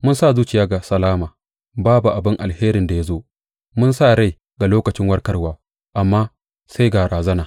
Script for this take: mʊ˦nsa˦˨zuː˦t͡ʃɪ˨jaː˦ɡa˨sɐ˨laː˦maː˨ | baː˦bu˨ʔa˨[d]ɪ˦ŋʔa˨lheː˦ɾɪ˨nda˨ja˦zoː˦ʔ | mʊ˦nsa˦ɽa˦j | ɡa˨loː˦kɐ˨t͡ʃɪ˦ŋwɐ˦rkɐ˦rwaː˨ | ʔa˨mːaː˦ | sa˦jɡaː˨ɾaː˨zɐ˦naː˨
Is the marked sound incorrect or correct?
incorrect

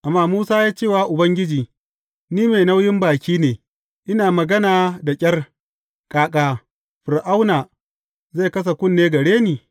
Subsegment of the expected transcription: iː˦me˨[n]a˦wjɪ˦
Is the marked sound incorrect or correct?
correct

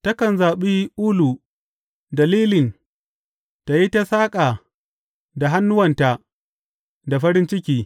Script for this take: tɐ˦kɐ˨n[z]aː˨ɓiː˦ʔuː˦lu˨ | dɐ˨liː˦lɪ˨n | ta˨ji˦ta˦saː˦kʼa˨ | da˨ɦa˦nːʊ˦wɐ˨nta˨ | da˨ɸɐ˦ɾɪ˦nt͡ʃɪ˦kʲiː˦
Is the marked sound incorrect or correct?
correct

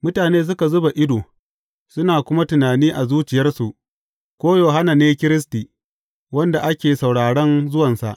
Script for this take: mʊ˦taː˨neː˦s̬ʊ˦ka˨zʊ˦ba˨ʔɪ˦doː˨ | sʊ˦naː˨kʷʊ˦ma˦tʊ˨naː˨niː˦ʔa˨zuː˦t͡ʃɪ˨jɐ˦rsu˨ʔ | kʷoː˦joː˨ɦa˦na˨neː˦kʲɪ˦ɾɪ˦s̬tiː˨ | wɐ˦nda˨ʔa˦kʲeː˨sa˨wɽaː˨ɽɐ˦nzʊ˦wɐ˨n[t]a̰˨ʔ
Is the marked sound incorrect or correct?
incorrect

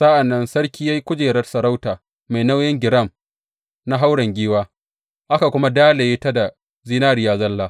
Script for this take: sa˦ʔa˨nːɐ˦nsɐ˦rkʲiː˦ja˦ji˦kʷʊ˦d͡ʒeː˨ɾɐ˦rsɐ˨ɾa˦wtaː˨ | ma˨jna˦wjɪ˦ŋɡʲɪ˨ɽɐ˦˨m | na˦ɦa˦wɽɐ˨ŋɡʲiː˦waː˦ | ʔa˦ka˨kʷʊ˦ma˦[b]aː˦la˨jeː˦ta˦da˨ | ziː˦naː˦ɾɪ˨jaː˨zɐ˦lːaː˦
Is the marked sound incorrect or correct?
incorrect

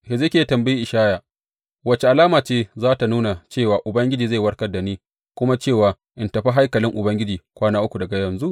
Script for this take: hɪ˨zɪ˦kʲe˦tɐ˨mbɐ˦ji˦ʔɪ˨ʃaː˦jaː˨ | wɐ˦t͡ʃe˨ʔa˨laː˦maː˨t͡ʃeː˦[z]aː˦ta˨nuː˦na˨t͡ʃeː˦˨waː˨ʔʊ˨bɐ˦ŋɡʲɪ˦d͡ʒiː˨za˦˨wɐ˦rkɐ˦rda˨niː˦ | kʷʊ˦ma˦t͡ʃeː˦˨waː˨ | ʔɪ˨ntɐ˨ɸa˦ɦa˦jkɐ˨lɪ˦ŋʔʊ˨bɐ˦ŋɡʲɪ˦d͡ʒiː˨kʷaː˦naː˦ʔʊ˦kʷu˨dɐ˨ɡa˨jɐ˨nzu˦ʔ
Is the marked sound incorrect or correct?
correct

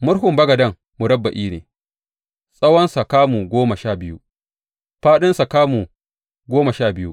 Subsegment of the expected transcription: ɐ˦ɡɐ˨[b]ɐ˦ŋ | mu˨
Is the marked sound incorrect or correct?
incorrect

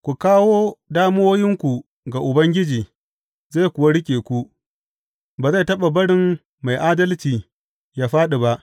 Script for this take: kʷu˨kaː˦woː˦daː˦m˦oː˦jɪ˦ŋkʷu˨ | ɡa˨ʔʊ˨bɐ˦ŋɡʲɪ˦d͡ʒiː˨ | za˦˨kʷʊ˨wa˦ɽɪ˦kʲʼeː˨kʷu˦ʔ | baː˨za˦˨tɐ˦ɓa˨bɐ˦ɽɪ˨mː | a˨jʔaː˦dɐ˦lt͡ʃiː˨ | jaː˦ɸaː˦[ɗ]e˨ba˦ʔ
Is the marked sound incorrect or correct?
correct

